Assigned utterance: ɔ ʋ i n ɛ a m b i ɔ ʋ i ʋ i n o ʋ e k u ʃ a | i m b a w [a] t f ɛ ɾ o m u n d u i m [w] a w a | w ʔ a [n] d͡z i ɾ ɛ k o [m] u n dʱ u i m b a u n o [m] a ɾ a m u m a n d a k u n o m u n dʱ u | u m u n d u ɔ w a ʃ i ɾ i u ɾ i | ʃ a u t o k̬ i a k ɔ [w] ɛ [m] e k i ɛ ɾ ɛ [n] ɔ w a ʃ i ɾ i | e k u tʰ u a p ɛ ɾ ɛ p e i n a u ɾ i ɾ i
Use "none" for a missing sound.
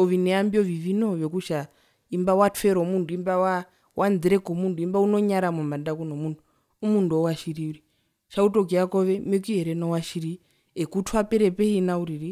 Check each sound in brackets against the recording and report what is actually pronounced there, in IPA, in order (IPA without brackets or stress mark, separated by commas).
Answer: a, b, n, m, ɲ, ʋ, m, n